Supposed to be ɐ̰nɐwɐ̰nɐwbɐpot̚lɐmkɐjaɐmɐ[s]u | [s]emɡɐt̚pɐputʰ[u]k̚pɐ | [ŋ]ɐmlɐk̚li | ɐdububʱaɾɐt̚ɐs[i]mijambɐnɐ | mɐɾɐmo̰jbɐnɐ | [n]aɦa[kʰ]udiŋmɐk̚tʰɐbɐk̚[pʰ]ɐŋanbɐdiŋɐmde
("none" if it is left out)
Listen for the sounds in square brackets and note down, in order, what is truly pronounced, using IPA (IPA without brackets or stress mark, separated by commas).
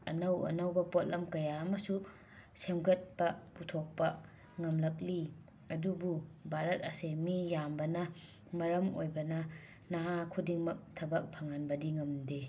s, s, o, ŋ, e, n, kʰ, pʰ